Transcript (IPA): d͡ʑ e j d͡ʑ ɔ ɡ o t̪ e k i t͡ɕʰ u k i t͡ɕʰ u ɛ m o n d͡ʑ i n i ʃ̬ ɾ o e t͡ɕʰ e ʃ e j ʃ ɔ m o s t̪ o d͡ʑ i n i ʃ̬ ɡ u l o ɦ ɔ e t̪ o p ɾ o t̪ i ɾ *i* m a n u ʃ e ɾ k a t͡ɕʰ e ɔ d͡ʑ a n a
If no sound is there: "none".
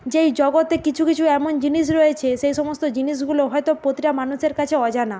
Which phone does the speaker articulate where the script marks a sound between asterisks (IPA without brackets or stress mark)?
a